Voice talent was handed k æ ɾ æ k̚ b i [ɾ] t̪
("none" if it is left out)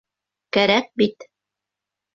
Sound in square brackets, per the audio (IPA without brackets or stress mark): none